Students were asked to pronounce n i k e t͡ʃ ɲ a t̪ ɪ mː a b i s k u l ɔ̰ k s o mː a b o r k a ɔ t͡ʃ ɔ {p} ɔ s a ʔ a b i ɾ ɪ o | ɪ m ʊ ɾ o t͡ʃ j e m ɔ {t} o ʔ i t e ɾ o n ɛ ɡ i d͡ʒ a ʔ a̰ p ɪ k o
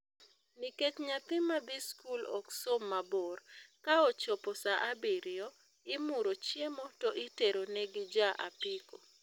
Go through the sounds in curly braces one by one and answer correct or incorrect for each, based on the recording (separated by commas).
correct, correct